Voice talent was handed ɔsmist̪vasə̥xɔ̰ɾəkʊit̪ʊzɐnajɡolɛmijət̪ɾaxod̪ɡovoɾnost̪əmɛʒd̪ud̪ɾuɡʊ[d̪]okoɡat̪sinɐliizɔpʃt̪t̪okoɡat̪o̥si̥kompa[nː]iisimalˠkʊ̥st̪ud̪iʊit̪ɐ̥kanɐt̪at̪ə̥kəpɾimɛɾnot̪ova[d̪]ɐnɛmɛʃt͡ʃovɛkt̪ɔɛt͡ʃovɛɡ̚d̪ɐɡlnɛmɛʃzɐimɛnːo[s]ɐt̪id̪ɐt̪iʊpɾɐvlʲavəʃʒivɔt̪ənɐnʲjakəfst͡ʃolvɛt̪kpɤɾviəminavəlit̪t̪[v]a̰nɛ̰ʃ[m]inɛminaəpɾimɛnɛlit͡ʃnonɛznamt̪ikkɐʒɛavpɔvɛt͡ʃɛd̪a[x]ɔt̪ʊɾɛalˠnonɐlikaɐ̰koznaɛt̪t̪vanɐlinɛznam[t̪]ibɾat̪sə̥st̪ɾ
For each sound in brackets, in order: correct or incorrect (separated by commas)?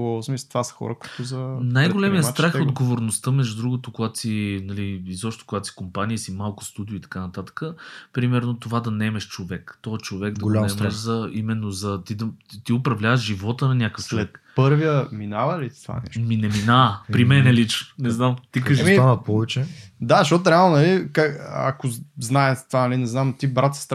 incorrect, incorrect, correct, incorrect, correct, correct, incorrect, correct